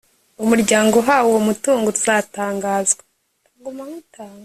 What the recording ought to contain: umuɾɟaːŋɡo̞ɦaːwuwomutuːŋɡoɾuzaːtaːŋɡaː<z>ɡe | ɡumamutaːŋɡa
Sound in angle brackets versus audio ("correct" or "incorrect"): correct